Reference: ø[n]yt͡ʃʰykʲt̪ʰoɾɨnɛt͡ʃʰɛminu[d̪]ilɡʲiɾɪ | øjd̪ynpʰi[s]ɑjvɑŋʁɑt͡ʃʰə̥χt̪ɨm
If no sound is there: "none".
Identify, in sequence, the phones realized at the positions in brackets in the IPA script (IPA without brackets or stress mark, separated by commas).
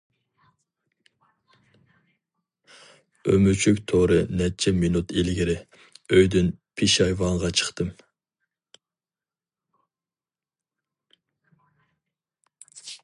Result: m, t̪, ʃ